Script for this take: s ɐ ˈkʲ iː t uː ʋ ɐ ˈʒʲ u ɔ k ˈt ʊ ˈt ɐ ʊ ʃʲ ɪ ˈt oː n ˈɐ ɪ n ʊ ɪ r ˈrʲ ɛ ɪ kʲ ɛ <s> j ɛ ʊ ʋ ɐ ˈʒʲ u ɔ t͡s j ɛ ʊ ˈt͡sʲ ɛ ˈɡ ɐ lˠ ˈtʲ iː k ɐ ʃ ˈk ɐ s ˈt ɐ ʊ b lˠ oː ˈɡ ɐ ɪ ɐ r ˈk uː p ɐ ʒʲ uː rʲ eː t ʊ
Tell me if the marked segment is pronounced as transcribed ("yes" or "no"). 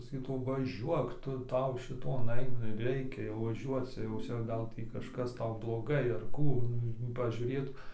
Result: no